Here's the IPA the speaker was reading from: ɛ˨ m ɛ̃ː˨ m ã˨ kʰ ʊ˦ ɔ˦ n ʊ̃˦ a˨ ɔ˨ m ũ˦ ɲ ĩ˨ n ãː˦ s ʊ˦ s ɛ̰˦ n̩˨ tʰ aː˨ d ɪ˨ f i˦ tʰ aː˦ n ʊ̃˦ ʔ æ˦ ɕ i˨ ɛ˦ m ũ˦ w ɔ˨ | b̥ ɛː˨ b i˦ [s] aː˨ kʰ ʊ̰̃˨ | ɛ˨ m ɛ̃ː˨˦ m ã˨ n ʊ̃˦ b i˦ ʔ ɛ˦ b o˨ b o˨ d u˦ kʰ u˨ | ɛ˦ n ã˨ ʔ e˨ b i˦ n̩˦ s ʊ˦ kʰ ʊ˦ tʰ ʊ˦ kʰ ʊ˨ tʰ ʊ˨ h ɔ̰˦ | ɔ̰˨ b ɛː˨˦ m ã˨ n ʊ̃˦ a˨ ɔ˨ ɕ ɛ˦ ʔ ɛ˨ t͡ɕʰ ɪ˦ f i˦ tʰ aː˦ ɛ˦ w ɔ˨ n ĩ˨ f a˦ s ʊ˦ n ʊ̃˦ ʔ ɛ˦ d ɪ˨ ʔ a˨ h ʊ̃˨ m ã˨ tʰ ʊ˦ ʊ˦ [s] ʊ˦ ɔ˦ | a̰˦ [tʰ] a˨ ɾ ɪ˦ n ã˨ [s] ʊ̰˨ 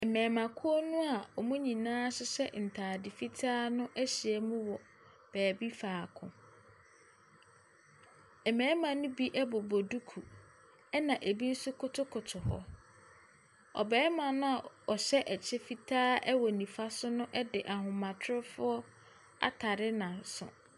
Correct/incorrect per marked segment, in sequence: incorrect, incorrect, correct, correct

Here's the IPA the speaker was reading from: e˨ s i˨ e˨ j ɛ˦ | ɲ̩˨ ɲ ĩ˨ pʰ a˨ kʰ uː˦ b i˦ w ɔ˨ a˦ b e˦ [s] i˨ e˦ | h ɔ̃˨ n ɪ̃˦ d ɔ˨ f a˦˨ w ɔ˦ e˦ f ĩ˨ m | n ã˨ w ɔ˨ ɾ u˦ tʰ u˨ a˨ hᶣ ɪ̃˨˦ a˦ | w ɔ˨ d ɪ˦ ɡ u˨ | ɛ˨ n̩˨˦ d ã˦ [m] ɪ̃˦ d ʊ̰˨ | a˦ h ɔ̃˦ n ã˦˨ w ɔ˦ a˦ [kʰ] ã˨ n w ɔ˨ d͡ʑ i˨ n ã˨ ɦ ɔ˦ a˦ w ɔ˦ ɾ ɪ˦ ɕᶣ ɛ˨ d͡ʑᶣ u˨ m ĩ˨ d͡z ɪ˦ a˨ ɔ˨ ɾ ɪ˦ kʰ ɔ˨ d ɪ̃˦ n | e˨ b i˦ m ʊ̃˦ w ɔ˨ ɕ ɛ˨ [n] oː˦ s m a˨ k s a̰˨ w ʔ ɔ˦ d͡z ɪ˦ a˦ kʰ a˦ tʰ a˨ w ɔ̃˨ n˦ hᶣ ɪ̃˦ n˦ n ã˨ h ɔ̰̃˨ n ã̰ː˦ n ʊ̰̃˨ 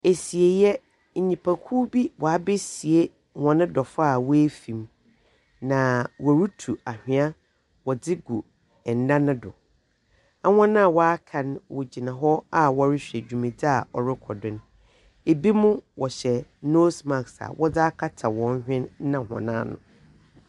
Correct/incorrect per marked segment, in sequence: correct, incorrect, correct, correct

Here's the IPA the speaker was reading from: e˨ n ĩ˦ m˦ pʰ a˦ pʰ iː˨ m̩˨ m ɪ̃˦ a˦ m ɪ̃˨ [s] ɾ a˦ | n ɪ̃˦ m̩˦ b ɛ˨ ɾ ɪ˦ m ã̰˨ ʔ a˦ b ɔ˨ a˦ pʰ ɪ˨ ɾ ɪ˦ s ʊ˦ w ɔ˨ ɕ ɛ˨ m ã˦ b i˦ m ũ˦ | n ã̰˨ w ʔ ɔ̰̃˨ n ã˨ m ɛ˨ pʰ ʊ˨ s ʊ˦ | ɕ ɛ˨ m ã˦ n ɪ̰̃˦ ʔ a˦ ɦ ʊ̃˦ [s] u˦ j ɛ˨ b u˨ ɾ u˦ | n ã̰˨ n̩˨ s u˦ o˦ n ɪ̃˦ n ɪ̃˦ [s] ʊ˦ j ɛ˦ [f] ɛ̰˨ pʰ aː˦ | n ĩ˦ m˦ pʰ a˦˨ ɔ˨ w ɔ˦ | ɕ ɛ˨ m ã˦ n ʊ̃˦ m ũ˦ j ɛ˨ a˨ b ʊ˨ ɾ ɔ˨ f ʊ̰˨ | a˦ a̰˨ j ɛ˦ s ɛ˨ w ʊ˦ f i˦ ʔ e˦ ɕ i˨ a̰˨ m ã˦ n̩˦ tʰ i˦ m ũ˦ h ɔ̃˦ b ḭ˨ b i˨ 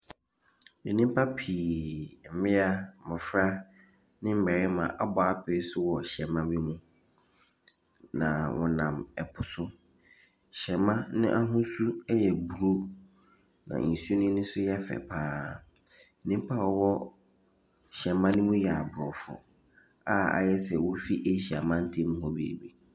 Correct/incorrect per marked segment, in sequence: incorrect, correct, correct, correct

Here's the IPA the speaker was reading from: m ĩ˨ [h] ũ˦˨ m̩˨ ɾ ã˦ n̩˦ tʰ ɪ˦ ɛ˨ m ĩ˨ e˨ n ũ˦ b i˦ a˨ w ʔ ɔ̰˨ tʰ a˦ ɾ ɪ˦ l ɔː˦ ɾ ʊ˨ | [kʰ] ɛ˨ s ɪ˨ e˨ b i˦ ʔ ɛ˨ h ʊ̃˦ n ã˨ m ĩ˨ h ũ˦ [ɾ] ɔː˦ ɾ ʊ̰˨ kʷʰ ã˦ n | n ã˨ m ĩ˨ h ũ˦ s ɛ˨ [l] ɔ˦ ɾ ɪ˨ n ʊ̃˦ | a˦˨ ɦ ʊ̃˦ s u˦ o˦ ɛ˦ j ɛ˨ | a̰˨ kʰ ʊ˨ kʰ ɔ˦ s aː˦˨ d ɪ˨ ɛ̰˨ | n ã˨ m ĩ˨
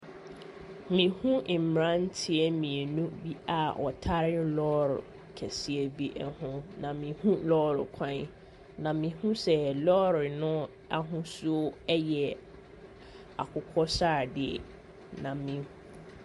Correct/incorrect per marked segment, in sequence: correct, correct, incorrect, correct

